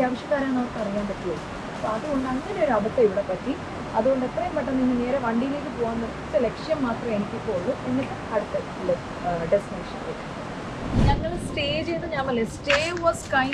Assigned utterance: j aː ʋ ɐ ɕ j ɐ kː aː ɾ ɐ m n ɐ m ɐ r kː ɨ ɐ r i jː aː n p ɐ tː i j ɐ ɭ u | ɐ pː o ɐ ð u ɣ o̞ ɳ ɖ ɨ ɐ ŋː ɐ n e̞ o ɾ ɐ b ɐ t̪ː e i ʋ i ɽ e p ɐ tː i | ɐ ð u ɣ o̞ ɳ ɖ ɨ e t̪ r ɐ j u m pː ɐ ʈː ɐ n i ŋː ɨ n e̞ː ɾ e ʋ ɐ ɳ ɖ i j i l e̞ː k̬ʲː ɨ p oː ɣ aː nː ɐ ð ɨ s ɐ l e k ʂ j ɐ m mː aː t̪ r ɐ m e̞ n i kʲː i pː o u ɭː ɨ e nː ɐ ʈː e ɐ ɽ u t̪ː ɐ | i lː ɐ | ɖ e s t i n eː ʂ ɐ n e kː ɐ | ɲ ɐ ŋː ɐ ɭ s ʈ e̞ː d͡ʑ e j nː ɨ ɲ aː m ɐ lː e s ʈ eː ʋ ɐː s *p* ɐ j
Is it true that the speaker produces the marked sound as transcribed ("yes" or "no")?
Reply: no